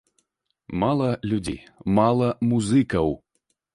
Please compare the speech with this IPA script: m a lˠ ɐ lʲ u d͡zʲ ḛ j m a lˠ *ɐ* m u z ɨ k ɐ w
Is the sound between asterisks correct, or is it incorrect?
correct